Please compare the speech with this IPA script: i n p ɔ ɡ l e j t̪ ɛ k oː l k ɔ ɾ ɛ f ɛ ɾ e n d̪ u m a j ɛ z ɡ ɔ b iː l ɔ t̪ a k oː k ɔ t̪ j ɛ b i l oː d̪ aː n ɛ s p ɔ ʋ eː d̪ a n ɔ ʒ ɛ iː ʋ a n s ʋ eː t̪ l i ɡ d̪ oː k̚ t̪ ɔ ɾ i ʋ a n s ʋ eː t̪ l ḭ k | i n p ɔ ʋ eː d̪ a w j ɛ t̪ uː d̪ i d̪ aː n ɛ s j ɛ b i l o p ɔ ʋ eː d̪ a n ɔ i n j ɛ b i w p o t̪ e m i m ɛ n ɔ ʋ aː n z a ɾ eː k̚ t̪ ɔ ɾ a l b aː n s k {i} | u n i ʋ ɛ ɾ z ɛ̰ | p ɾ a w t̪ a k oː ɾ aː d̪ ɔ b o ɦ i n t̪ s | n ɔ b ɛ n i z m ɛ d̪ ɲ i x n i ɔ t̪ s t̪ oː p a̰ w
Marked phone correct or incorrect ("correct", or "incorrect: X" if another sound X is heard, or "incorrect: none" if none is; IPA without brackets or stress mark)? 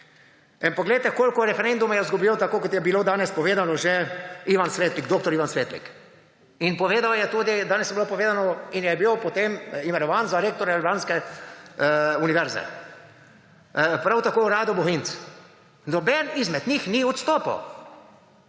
incorrect: ɛ